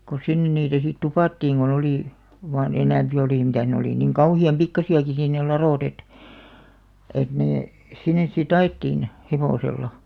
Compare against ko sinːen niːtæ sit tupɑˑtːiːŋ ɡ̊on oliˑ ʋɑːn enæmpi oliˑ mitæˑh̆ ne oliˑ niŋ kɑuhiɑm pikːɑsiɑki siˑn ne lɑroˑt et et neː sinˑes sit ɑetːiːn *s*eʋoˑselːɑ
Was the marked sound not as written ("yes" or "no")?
yes